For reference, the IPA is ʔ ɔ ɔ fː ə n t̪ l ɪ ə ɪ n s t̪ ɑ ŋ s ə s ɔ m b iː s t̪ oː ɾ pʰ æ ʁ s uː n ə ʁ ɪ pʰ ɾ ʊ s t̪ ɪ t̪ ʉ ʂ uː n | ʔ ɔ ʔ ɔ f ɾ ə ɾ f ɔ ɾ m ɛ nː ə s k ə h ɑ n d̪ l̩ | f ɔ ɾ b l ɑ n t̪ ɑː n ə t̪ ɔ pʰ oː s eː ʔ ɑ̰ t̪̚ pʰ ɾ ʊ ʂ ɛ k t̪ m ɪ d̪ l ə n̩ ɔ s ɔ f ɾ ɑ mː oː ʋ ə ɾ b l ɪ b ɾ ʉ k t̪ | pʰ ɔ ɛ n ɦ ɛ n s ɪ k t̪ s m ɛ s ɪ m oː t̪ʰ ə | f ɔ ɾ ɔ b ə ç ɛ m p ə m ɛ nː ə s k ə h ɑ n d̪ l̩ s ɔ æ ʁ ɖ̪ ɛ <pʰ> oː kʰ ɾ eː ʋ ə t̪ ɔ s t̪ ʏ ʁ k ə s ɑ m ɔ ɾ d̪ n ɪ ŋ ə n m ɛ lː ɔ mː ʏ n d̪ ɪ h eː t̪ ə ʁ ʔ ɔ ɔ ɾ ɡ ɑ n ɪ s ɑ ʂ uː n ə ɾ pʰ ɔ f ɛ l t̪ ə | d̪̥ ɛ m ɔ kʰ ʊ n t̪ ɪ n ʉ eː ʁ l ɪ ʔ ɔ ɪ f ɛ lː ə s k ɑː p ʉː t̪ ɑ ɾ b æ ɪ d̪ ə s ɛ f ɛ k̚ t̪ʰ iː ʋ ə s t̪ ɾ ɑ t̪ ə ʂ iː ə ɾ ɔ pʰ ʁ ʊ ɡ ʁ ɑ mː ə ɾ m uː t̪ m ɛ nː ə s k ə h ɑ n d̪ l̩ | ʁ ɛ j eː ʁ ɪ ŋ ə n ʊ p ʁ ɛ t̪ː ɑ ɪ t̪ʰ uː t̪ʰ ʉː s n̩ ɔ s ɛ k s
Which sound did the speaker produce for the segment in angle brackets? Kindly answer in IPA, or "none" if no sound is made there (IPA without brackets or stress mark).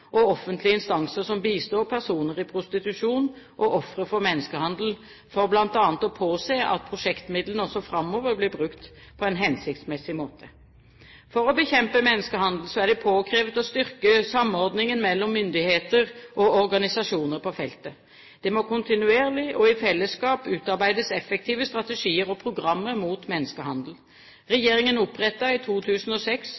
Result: pʰ